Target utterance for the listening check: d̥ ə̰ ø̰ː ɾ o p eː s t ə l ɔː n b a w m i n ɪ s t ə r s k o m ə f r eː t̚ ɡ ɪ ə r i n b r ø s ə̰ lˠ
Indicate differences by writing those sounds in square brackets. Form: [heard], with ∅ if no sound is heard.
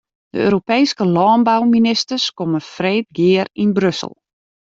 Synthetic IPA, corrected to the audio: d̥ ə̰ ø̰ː ɾ o p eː s [k] ə l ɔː n b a w m i n ɪ s t ə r s k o m ə f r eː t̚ ɡ ɪ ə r i n b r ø s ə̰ lˠ